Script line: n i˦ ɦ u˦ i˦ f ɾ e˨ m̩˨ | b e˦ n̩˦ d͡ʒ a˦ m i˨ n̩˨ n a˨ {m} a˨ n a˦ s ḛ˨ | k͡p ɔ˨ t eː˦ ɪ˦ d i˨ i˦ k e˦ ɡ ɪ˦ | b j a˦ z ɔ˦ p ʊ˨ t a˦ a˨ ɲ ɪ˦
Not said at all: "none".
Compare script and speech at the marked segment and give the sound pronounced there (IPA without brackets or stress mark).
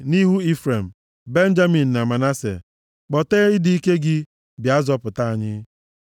m